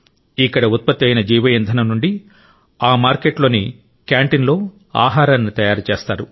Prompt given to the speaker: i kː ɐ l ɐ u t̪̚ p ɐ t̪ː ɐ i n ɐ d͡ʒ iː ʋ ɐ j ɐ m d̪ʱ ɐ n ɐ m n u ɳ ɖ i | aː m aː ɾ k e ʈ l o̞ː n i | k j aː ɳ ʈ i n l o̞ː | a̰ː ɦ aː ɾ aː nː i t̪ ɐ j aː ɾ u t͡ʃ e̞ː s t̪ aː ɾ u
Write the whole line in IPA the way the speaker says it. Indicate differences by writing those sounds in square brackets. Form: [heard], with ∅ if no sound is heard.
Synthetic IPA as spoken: i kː ɐ [ɽ] ɐ u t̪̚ p ɐ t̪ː ɐ [j] n ɐ d͡ʒ iː ʋ ɐ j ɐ [n] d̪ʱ ɐ n ɐ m n u ɳ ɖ i | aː m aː ɾ k e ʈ l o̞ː n i | k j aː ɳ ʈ i n l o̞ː | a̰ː ɦ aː ɾ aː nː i t̪ ɐ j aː ɾ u t͡ʃ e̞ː s t̪ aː ɾ u